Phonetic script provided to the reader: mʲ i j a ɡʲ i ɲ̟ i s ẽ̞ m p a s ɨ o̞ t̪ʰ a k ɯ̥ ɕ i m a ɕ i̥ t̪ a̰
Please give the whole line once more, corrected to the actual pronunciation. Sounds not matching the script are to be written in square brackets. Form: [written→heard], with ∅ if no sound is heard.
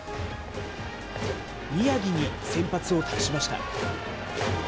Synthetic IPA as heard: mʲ i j a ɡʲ i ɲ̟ i s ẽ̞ m p a [s→t͡s] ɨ o̞ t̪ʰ a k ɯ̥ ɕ i m a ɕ i̥ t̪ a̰